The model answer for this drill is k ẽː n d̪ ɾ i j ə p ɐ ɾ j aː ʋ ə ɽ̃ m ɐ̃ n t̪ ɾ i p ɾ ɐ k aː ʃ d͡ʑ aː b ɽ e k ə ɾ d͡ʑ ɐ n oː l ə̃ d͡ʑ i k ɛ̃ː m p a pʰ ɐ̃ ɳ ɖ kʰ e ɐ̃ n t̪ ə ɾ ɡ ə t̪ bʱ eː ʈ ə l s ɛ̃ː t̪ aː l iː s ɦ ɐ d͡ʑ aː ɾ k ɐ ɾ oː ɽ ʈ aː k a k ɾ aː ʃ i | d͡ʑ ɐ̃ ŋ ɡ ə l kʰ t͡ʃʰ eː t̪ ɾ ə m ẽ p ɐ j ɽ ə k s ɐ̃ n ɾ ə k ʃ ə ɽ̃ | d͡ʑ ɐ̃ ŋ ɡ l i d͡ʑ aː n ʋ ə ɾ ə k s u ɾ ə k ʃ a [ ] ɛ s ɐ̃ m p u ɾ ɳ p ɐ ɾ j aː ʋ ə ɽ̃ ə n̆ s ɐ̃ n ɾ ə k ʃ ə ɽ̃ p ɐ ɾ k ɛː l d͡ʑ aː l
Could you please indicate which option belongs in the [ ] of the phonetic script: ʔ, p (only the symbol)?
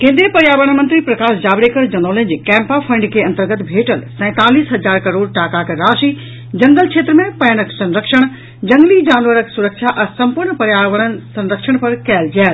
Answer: ʔ